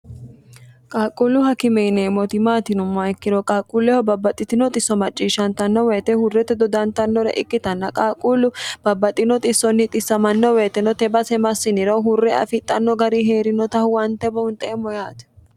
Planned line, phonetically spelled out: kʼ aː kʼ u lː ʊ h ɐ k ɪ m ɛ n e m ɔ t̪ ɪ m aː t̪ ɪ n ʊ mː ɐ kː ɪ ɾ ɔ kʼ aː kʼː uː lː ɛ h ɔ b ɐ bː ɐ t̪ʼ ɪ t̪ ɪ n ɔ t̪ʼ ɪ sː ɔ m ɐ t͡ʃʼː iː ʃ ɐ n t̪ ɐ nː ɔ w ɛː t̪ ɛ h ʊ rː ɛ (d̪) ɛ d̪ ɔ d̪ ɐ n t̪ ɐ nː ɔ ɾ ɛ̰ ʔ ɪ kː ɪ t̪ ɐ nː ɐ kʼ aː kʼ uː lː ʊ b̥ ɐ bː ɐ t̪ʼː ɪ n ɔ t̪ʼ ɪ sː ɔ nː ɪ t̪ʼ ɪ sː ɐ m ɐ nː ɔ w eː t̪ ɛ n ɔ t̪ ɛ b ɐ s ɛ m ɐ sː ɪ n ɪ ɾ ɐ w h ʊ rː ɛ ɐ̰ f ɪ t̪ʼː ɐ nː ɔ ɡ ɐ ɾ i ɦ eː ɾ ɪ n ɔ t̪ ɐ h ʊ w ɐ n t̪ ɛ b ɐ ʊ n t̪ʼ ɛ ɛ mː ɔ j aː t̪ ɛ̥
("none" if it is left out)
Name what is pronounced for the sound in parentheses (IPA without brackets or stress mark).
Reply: t̪